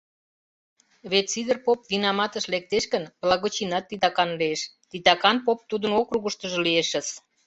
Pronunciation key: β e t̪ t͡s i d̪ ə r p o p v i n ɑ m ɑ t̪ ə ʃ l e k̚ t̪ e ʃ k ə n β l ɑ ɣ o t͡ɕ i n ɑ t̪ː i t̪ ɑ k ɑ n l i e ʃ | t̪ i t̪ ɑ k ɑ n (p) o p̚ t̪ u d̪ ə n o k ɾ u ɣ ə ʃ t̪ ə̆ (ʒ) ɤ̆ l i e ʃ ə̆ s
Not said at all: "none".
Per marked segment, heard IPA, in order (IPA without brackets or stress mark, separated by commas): p, ʒ